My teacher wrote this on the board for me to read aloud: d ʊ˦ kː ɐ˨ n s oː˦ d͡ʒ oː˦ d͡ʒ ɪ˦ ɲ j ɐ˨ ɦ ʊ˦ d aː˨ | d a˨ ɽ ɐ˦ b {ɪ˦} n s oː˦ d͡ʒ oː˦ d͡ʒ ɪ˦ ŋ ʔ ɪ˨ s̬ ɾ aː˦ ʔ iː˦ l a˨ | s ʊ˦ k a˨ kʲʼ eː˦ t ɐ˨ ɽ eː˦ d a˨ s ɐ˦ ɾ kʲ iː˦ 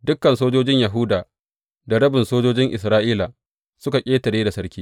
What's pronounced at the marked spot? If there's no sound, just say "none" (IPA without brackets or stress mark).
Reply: ɪ˨